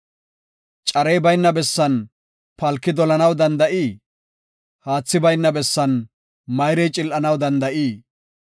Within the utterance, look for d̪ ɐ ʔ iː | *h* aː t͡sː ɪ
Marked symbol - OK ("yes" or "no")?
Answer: yes